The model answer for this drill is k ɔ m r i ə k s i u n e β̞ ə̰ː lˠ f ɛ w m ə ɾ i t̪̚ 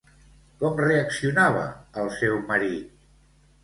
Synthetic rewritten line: k ɔ m r e ə k s i u n a β̞ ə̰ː lˠ s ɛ w m ə ɾ i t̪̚